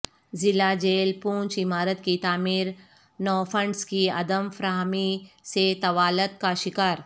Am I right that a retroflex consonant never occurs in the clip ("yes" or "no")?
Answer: no